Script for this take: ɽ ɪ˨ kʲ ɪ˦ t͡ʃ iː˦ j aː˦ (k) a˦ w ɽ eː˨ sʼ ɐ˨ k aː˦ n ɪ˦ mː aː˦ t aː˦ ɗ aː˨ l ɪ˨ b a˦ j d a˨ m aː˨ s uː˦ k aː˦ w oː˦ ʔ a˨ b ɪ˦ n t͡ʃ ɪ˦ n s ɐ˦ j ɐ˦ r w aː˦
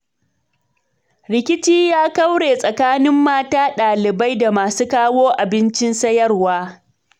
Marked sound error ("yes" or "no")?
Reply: no